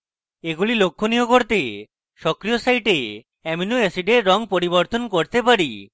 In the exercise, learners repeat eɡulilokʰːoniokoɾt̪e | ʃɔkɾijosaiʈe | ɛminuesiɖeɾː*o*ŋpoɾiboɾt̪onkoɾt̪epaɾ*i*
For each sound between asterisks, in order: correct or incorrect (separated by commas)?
incorrect, correct